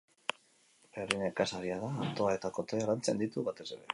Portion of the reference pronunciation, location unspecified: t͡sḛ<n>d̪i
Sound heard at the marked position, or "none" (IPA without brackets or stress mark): n